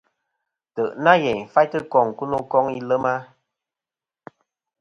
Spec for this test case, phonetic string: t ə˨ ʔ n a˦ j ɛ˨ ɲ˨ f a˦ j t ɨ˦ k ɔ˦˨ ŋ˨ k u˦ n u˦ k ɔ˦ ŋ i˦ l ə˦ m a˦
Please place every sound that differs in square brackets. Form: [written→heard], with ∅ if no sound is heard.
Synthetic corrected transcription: t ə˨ ʔ n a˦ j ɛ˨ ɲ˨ f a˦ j t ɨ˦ k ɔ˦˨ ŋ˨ k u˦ n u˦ k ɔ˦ ŋ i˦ l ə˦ m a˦